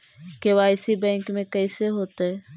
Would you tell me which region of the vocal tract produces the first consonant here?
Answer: velum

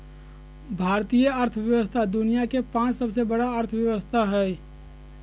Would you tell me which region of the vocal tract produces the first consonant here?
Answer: lips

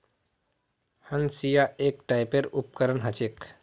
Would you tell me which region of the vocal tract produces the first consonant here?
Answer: throat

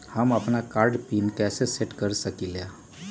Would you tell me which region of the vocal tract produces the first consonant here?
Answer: throat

